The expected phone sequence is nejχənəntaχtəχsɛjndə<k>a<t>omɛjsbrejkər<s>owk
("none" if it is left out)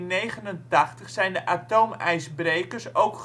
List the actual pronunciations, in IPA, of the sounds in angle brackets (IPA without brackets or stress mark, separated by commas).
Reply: ʔ, t, s